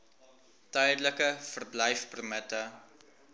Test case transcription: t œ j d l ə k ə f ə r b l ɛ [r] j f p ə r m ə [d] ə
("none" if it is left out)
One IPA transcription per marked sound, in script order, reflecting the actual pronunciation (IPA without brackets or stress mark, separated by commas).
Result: none, t